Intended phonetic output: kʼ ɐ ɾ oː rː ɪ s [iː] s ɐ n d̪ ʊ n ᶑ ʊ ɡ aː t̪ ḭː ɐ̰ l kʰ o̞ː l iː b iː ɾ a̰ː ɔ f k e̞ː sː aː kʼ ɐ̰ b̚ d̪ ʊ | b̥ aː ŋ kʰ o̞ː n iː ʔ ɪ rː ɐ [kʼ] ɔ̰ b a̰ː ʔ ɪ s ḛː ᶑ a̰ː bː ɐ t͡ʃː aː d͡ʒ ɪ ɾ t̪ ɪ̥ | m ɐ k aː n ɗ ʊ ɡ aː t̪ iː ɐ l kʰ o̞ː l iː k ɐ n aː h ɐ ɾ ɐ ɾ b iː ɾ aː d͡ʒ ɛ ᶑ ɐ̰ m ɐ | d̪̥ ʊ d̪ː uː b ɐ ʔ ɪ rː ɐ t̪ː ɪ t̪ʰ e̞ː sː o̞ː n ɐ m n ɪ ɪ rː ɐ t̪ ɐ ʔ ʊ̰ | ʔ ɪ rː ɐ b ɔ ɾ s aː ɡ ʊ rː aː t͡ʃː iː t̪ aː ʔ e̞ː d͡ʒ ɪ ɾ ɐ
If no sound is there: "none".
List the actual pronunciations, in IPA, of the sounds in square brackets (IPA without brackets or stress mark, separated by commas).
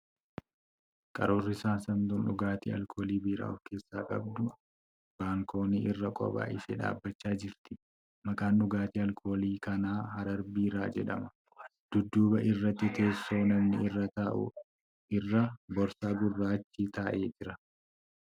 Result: aː, kʼ